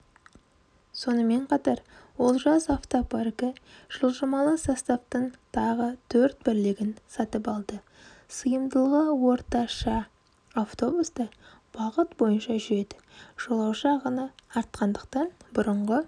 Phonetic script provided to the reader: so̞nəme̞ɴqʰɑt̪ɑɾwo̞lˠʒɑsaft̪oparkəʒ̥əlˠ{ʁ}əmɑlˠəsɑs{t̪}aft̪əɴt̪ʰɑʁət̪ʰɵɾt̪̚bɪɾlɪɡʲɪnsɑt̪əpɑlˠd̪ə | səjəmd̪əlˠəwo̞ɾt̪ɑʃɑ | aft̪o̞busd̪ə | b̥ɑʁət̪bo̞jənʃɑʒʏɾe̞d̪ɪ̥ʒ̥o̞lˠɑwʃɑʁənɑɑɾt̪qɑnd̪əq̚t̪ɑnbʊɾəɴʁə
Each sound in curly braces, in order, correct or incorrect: incorrect: ʒ, correct

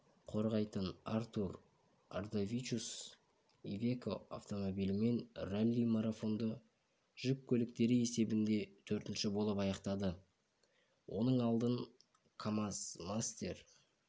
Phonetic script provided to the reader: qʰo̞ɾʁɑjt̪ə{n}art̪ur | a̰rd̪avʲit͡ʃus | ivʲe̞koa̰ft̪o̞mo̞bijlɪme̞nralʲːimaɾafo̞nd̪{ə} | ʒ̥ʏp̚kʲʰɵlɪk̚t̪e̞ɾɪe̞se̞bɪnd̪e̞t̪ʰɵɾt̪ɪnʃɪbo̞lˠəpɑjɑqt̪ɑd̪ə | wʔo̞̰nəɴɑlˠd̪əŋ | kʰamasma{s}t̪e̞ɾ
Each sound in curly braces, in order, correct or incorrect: correct, correct, correct

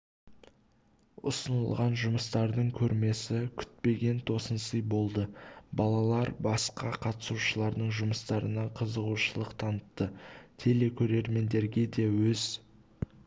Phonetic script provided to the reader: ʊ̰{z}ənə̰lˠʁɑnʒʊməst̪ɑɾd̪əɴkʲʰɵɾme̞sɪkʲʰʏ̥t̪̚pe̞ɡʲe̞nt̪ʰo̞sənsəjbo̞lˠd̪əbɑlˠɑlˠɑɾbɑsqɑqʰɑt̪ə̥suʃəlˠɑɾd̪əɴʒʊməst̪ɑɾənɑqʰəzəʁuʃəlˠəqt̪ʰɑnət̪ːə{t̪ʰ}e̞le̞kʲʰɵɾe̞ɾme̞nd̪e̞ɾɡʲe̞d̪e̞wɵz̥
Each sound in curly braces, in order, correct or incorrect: incorrect: s, correct

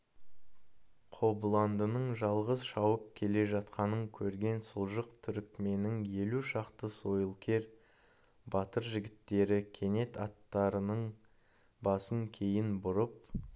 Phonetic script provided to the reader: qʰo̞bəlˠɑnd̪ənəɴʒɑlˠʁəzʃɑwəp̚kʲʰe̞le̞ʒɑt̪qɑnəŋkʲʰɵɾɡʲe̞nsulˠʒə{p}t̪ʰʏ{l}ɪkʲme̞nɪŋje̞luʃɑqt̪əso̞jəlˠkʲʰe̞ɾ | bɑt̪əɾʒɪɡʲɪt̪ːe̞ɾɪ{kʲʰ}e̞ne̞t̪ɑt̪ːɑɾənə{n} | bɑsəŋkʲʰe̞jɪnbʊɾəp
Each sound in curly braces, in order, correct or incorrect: incorrect: q, incorrect: ɾ, correct, incorrect: ɴ

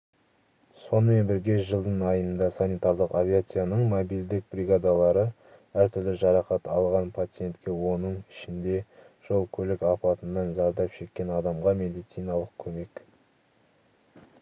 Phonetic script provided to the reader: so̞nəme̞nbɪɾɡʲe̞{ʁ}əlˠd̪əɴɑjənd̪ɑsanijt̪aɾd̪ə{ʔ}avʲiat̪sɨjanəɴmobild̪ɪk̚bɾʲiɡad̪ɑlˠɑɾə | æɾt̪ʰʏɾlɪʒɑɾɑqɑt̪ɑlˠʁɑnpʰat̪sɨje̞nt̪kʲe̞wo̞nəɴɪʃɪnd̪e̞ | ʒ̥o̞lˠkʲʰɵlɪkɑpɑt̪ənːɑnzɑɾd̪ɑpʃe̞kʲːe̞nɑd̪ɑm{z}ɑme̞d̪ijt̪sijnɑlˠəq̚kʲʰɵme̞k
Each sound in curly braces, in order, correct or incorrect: incorrect: ʒ, incorrect: q, incorrect: ʁ

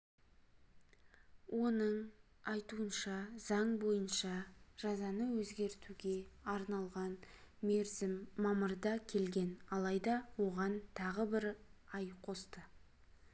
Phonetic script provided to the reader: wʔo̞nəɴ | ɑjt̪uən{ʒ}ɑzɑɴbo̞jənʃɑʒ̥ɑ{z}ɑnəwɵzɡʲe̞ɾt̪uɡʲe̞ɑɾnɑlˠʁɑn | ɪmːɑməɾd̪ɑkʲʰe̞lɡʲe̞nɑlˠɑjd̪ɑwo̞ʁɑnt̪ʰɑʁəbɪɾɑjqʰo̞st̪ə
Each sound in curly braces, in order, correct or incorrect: incorrect: ʃ, correct

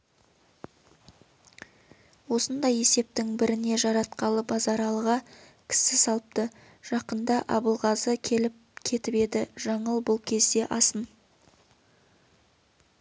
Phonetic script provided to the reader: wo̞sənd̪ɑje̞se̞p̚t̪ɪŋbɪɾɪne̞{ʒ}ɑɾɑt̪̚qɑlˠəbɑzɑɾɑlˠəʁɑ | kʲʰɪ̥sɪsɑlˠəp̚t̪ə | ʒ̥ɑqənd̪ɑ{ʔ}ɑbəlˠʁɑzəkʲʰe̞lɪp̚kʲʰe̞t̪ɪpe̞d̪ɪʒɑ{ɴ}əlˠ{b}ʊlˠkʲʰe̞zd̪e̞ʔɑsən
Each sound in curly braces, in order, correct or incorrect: correct, correct, correct, correct

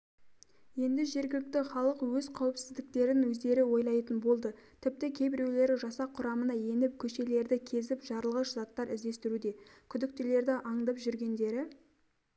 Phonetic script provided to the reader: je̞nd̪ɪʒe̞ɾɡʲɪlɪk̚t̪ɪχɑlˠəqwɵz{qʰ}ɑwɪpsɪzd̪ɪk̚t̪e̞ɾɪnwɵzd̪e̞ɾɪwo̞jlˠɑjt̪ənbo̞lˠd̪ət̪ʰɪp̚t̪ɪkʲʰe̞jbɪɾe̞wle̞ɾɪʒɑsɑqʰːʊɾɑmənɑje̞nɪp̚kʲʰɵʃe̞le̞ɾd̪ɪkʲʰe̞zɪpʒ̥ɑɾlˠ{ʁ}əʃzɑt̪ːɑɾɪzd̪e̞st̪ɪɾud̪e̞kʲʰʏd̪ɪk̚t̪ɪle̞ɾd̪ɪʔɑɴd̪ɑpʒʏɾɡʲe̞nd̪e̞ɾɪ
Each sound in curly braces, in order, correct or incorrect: correct, correct

